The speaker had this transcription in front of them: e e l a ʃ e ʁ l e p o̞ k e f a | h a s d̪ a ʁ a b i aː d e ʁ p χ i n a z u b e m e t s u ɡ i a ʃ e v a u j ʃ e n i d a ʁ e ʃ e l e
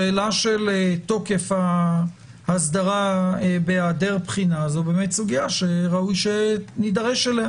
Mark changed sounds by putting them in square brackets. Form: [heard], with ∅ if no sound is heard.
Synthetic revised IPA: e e l a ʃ e [∅] l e [t] o̞ k e f a | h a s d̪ a ʁ a b [e] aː d e ʁ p χ i n a z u b e m e t s u ɡ i a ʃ e [ʁ] a u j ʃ e n i d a ʁ e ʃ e l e

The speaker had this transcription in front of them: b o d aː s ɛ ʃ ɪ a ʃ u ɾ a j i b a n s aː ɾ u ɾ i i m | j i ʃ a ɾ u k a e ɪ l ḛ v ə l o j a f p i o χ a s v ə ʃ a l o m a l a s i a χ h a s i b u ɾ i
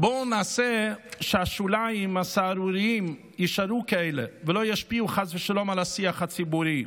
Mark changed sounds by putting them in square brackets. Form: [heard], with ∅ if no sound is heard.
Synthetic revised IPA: b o [n] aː s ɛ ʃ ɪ a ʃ u [l] a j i [m] a [∅] s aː ɾ u ɾ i i m | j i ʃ a ɾ u k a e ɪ l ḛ v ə l o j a [ʃ] p i [u] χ a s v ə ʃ a l o m a l a s i a χ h a [t͡s] i b u ɾ i

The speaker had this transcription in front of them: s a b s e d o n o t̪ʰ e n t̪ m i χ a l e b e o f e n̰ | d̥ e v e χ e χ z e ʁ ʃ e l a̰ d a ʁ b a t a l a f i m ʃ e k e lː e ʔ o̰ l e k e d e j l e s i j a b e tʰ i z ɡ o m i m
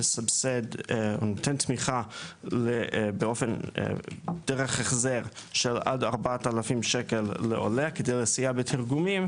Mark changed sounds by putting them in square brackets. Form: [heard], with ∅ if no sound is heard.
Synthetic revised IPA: s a b s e d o n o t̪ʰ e n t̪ m i χ a l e b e o f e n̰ | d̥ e [ʁ] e χ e χ z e ʁ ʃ e l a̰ d a ʁ b a t a l a f i m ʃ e k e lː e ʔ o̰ l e k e d e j l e s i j a b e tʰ i [ʁ] ɡ [u] m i m

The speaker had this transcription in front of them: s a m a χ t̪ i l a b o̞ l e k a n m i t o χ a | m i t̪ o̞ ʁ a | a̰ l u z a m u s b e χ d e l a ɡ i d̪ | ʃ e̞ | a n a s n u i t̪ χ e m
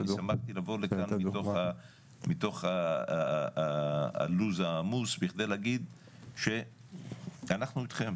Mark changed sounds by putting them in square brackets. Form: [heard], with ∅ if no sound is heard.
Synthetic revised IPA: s a m a χ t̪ i l a [v] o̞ l e k a n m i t o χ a | m i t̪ o̞ [χ] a | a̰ l u z a m u s b [i] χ d e l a ɡ i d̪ | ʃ e̞ | a n a [χ] n u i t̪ χ e m

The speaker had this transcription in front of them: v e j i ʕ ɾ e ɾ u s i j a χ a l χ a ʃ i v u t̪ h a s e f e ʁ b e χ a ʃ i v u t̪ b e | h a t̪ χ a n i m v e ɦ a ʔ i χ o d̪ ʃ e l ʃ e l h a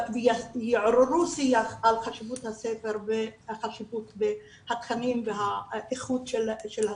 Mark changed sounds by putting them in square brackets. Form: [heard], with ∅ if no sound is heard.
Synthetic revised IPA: v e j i ʕ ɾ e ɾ u s i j a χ a l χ a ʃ i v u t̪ h a s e f e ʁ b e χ a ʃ i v u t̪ b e | h a t̪ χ a n i m v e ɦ a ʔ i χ [u] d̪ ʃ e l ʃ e l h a

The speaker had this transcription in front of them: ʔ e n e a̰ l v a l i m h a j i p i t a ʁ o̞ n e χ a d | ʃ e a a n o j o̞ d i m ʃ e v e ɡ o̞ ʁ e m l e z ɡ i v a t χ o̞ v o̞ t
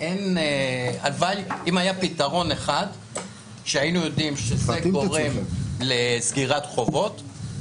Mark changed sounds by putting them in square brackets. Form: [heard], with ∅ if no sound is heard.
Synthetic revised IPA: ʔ e n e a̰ l v a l i m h a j [a] p i t a ʁ o̞ n e χ a d | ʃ e a [i] n [u] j o̞ d i m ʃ e [z] e ɡ o̞ ʁ e m l e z ɡ i [ʁ] a t χ o̞ v o̞ t

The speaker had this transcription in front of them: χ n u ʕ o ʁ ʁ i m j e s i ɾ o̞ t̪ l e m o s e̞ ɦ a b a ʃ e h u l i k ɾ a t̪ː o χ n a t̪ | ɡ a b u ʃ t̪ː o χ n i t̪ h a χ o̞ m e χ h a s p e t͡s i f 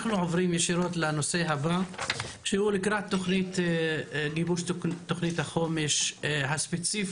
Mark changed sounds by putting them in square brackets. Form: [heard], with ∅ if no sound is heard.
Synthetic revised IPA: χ n u ʕ o [v] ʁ i m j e [ʃ] i ɾ o̞ t̪ l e [n] o s e̞ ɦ a b a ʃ e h u l i k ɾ a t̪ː o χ n [i] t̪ | ɡ [i] b u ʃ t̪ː o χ n i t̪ h a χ o̞ m e [ʃ] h a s p e t͡s i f

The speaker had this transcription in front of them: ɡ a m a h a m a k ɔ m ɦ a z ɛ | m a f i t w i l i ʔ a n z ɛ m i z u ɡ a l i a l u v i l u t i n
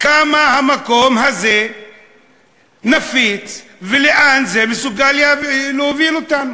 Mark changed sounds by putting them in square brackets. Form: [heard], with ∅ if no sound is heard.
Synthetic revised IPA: [k] a m a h a m a k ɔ m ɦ a z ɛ | [n] a f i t [v] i l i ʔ a n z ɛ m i [s] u ɡ a l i a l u v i l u t [a] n

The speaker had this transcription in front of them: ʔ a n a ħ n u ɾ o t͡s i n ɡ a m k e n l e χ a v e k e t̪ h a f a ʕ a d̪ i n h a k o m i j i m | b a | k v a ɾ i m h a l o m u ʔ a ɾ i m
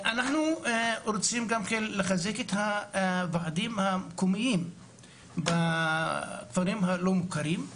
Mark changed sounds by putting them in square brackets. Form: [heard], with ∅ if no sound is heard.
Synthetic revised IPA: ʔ a n a ħ n u ɾ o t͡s i [m] ɡ a m k e n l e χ a [z] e k e t̪ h a [v] a ʕ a d̪ i [m] h a k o m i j i m | b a | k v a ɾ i m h a l o m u [k] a ɾ i m

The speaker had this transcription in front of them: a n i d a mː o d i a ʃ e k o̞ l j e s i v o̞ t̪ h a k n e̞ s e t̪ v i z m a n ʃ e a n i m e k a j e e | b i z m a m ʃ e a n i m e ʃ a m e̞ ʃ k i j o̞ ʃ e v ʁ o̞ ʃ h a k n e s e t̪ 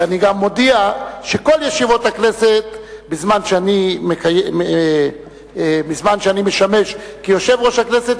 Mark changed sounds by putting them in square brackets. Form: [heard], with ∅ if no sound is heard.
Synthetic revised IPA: a n i [ɡ] a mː o d i a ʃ e k o̞ l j e [ʃ] i v o̞ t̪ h a k n e̞ s e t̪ [b] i z m a n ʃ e a n i m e k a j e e | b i z m a [n] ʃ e a n i m e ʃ a m e̞ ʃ k i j o̞ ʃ e v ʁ o̞ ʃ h a k n e s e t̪

